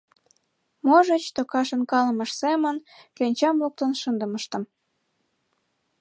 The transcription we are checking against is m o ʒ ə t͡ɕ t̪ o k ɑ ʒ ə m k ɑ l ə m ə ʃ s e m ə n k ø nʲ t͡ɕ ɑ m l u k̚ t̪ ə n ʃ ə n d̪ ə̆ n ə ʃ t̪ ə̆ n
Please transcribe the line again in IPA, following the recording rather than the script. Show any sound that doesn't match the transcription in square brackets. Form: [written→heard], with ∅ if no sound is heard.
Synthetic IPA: m o ʒ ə t͡ɕ t̪ o k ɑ [ʒ→ʃ] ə [m→n] k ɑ l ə m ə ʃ s e m ə n k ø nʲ t͡ɕ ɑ m l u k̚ t̪ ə n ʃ ə n d̪ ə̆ [n→m] ə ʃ t̪ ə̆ [n→m]